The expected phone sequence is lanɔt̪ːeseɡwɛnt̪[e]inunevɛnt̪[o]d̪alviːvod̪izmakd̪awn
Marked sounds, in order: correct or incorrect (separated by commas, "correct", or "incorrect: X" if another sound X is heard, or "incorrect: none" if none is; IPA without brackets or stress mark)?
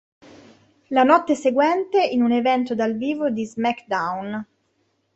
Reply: correct, correct